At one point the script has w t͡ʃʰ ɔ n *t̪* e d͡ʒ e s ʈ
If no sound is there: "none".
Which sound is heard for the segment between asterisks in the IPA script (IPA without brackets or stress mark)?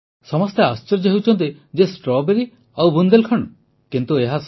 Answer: t̪